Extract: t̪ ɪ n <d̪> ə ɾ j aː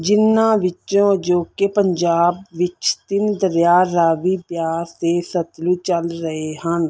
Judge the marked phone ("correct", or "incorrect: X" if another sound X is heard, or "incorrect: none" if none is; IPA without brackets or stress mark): correct